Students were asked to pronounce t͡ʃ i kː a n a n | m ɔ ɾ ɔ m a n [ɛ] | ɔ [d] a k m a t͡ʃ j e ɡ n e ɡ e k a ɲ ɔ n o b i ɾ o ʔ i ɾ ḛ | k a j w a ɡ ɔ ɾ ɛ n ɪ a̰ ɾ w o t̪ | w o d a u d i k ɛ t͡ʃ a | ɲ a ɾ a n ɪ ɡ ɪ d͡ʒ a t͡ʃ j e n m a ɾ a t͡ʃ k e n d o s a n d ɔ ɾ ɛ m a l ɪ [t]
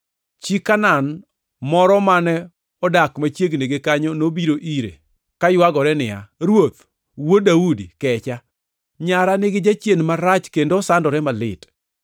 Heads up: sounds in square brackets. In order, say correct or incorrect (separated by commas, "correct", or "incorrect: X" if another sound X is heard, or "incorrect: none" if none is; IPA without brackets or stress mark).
correct, correct, correct